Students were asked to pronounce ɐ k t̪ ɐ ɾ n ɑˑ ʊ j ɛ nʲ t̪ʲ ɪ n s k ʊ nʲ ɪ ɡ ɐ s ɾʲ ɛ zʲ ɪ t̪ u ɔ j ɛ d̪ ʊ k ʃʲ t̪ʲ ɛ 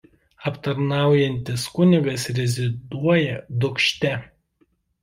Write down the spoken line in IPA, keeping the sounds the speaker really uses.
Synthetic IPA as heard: ɐ p t̪ ɐ ɾ n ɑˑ ʊ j ɛ nʲ t̪ʲ ɪ s k ʊ nʲ ɪ ɡ ɐ s ɾʲ ɛ zʲ ɪ d̪ u ɔ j ɛ d̪ ʊ k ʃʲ t̪ʲ ɛ